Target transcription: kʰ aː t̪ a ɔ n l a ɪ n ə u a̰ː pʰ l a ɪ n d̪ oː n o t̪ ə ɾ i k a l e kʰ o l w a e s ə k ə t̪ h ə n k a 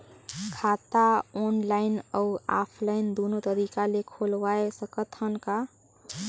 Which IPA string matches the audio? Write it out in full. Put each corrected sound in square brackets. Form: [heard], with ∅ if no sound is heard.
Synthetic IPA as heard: kʰ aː t̪ a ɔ n l a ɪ n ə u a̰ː pʰ l a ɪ n d̪ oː n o t̪ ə ɾ i k a l e kʰ o l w a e s ə k ə t̪ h ə n k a